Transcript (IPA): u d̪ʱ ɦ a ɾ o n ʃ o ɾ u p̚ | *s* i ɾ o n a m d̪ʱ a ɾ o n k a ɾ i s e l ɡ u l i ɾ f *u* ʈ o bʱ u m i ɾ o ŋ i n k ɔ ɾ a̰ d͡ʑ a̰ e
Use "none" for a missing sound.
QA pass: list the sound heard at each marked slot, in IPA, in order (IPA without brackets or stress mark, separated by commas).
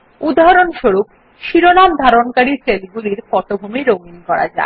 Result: ʃ, ɔ